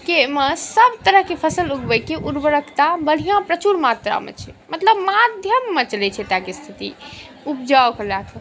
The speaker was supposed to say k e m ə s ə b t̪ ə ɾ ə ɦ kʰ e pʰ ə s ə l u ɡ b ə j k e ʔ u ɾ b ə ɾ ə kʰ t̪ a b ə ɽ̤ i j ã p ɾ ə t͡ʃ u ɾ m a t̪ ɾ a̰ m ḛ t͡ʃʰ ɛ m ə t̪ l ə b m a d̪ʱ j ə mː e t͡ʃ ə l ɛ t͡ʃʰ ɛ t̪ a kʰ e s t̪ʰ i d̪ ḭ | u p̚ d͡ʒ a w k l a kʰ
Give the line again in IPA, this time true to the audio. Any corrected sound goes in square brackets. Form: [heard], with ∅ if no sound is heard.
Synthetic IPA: k e m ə s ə b t̪ ə ɾ ə ɦ [k] e pʰ ə s ə l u ɡ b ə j k e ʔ u ɾ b ə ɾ ə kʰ t̪ a b ə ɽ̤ i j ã p ɾ ə t͡ʃ u ɾ m a t̪ ɾ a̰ m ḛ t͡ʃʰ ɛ m ə t̪ l ə b m a d̪ʱ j ə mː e t͡ʃ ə l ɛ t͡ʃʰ ɛ t̪ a [k] e s t̪ʰ i [t̪] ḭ | u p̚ d͡ʒ a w k l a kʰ